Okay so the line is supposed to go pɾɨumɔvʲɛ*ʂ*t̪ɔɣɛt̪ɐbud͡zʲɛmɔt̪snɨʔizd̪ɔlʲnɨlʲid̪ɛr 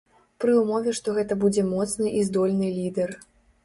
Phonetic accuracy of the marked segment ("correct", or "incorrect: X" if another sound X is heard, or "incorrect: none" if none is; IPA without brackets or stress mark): correct